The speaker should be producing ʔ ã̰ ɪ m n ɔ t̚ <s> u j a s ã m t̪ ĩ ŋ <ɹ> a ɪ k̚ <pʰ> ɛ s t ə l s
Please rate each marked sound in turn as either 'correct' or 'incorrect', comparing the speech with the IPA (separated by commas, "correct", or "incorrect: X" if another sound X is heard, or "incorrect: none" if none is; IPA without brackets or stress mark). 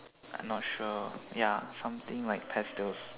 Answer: incorrect: ʃ, incorrect: l, correct